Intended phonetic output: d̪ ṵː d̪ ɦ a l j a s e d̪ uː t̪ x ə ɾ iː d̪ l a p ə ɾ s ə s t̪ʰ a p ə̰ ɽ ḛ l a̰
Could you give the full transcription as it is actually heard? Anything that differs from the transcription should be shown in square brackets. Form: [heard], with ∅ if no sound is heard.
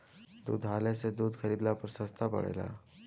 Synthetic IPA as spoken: d̪ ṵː d̪ ɦ a l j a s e d̪ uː [d̪] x ə ɾ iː d̪ l a p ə ɾ s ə s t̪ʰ a p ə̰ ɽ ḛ l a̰